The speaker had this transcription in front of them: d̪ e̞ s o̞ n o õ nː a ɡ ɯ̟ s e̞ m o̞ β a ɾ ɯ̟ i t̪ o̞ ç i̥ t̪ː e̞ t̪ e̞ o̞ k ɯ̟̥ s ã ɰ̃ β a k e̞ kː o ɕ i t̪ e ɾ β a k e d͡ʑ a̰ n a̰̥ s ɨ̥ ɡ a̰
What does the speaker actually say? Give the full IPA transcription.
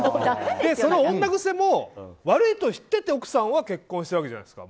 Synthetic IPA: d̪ e̞ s o̞ n o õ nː a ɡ ɯ̟ s e̞ m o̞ β a ɾ ɯ̟ i t̪ o̞ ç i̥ t̪ː e̞ t̪ e̞ o̞ k ɯ̟̥ s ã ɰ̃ β a k e̞ kː õ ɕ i t̪ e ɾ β a k e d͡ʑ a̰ n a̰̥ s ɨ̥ k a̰